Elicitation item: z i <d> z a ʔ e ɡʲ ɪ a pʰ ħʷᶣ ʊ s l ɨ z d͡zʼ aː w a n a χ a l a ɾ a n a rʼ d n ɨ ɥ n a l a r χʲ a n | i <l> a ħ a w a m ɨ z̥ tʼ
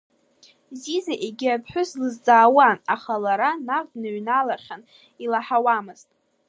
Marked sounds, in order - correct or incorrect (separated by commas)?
incorrect, correct